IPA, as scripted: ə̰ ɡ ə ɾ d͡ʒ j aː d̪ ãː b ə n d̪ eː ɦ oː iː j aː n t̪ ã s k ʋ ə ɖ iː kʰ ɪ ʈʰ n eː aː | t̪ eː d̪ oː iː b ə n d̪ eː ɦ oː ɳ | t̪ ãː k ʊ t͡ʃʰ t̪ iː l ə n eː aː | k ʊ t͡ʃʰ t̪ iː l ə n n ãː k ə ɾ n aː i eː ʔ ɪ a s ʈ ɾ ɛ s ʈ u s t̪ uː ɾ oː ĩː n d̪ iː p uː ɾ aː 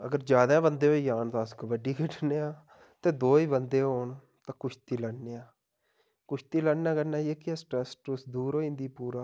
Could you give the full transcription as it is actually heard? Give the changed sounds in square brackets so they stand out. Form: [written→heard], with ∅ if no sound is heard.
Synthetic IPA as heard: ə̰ ɡ ə ɾ d͡ʒ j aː d̪ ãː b ə n d̪ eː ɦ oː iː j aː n t̪ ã s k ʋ ə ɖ iː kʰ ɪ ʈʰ n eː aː | t̪ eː d̪ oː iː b ə n d̪ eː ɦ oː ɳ | t̪ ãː k ʊ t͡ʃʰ t̪ iː l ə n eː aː | k ʊ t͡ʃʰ t̪ iː l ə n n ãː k ə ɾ n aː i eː [ʔ→k] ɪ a s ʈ ɾ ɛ s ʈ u s [t̪→d̪] uː ɾ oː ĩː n d̪ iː p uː ɾ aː